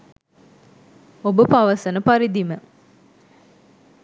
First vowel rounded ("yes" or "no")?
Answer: yes